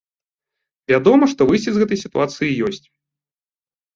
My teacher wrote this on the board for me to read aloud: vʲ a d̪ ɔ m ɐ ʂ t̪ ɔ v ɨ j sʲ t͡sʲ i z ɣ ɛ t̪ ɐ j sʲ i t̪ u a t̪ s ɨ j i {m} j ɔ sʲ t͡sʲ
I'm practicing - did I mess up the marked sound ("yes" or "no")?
yes